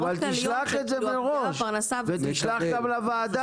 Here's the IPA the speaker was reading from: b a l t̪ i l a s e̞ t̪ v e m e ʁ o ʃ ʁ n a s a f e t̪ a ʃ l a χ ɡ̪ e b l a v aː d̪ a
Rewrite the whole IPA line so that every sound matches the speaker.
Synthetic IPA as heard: v a l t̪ i l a χ e̞ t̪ z e m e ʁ o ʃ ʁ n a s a v e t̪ i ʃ l a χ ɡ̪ a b l a v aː d̪ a